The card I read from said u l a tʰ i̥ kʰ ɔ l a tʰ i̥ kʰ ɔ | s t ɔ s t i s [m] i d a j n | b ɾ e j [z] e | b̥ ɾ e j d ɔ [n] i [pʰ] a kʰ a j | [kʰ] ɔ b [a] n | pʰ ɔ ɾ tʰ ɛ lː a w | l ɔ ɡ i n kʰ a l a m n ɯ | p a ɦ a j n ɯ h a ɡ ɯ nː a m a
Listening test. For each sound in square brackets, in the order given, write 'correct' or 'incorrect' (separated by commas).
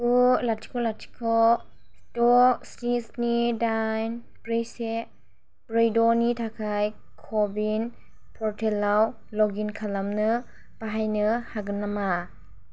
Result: incorrect, incorrect, correct, incorrect, correct, incorrect